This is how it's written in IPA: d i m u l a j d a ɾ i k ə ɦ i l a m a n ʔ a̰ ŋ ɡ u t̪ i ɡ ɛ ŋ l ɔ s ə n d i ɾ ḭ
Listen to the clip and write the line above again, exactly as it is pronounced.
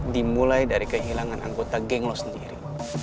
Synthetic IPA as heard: d i m u l a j d a ɾ i k ə ɦ i l a ŋ a n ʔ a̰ ŋ ɡ o t̪ a ɡ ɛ ŋ l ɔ s ə n d i ɾ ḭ